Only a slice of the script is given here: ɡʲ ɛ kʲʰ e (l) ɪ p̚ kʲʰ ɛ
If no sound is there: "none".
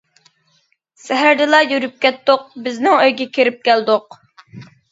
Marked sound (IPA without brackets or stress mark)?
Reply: ɾ